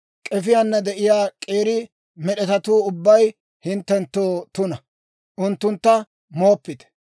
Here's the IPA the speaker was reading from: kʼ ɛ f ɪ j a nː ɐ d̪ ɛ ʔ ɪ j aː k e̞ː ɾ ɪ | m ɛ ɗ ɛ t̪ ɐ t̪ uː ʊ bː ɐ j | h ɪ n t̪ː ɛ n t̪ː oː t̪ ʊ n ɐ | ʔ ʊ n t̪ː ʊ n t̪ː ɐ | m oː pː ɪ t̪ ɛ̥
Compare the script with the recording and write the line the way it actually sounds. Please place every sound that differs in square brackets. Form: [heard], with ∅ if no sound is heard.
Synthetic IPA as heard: kʼ ɛ f ɪ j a nː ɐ d̪ ɛ ʔ ɪ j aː [kʼ] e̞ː ɾ ɪ | m ɛ ɗ ɛ t̪ ɐ t̪ uː ʊ bː ɐ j | h ɪ n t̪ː ɛ n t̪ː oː t̪ ʊ n ɐ | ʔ ʊ n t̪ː ʊ n t̪ː ɐ | m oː pː ɪ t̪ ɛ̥